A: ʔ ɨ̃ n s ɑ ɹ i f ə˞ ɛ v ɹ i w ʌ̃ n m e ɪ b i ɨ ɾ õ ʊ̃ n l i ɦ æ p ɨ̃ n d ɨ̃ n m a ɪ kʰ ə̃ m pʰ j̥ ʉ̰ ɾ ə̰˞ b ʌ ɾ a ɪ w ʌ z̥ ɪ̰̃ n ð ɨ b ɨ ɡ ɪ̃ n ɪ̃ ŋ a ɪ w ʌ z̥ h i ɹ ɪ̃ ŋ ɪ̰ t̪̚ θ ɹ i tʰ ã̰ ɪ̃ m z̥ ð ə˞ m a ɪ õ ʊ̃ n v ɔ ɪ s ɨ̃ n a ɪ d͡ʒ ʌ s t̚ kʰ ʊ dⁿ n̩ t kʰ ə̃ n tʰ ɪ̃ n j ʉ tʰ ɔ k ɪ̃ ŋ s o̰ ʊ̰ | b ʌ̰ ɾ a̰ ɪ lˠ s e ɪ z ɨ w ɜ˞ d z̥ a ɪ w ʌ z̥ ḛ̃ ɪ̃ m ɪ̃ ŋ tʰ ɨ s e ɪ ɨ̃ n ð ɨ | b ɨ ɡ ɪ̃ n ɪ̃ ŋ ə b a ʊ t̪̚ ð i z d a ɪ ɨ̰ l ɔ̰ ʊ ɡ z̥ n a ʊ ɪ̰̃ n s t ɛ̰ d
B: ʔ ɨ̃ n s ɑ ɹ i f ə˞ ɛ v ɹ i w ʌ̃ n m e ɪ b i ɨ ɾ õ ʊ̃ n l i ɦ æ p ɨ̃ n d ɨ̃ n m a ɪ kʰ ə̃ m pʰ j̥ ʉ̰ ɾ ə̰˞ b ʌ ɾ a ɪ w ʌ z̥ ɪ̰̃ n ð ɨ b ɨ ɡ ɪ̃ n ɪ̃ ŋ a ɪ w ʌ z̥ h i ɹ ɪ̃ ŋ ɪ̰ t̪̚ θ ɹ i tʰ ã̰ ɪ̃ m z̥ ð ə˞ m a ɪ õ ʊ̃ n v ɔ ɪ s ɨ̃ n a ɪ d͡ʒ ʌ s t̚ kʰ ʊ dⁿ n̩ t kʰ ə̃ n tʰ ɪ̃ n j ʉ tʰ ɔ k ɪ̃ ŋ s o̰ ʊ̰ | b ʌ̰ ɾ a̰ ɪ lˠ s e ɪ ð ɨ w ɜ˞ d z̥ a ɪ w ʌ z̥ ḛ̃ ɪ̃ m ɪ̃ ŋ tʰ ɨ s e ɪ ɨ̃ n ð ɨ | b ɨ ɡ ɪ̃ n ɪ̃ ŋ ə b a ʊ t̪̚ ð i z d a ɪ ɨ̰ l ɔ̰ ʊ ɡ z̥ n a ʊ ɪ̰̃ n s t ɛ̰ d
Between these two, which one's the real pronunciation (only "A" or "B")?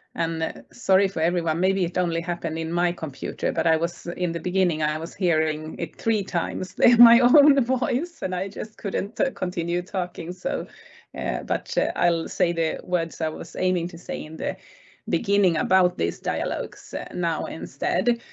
B